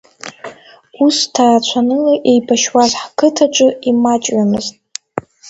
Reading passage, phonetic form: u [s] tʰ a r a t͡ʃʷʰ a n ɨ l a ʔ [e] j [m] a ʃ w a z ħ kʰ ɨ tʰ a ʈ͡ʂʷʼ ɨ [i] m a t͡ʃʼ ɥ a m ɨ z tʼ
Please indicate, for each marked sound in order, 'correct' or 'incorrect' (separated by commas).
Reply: correct, correct, incorrect, correct